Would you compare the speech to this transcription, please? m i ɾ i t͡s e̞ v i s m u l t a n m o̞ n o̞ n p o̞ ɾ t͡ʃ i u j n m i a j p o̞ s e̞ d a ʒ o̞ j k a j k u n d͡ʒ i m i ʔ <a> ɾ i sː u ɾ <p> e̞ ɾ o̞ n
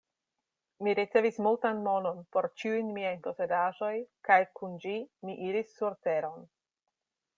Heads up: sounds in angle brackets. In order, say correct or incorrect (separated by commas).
incorrect, incorrect